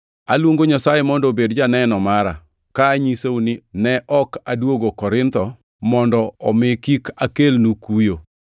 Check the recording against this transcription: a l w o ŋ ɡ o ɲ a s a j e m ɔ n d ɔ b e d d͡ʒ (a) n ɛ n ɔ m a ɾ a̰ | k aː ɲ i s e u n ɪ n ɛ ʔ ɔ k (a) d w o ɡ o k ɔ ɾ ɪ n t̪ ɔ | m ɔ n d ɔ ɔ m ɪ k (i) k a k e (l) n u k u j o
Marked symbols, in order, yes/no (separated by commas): yes, yes, yes, yes